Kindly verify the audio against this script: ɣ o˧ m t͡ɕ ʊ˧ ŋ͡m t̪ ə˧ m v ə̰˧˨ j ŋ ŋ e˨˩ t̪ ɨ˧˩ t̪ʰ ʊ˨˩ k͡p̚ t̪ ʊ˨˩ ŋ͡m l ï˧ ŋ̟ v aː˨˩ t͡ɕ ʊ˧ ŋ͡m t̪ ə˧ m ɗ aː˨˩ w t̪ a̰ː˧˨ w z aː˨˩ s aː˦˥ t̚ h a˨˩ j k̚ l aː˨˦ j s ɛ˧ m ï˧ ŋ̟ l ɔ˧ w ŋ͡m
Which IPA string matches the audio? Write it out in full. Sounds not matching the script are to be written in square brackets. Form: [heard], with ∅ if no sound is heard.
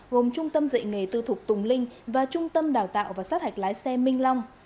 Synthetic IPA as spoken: ɣ [o˨˩] m t͡ɕ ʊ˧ ŋ͡m t̪ ə˧ m [z] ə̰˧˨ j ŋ ŋ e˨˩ t̪ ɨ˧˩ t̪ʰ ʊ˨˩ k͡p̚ t̪ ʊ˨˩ ŋ͡m l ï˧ ŋ̟ v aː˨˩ t͡ɕ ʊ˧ ŋ͡m t̪ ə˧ m ɗ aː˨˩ w t̪ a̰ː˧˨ w [v] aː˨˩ s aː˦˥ t̚ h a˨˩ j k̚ l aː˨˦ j s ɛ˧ m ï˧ ŋ̟ l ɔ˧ w ŋ͡m